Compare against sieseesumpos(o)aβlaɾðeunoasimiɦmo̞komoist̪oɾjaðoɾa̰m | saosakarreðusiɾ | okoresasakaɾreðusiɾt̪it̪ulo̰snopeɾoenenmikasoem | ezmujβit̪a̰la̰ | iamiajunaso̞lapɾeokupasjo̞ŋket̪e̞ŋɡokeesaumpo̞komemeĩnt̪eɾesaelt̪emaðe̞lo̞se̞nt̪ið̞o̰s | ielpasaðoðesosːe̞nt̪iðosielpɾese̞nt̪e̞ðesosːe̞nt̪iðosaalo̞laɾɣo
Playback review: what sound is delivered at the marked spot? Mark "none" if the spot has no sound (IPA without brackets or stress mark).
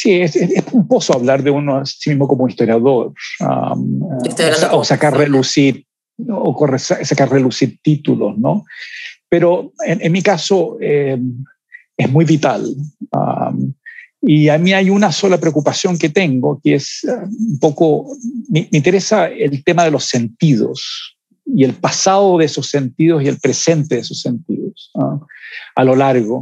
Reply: o